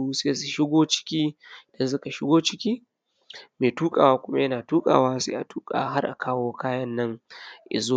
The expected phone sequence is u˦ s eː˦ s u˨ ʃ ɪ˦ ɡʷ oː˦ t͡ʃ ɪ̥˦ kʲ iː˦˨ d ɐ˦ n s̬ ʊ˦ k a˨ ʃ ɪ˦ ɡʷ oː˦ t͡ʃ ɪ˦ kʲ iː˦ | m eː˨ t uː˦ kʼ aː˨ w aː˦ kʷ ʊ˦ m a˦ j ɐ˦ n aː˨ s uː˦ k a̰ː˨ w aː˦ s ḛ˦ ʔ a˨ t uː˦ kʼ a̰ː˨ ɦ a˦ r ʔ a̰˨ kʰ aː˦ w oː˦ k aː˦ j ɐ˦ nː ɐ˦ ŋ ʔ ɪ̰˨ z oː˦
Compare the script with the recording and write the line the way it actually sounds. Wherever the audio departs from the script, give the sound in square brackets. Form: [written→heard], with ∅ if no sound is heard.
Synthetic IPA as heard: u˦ s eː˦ s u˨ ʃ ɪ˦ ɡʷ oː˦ t͡ʃ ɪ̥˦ kʲ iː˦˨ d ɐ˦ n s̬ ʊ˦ k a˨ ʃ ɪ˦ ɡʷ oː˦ t͡ʃ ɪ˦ kʲ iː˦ | m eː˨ t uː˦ kʼ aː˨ w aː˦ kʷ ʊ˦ m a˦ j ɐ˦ n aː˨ [s→t] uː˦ [k→kʼ] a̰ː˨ w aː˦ s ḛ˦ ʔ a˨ t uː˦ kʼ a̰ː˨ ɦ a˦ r ʔ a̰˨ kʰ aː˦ w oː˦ k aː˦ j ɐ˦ nː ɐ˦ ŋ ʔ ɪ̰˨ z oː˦